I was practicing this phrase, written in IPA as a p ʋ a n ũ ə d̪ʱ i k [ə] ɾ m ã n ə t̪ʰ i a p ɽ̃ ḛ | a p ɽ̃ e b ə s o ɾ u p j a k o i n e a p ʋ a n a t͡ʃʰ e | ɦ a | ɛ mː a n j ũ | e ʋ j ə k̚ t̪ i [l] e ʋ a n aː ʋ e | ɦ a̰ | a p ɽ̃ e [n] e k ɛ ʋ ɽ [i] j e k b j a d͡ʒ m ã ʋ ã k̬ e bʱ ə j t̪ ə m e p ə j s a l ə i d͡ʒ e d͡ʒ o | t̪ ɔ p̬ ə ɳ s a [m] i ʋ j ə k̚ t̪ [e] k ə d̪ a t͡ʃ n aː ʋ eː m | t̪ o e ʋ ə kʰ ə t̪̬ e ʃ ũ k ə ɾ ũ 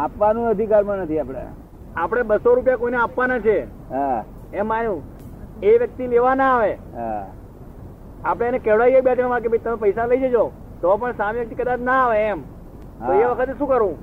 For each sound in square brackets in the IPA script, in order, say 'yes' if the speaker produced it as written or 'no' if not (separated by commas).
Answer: no, yes, yes, no, yes, no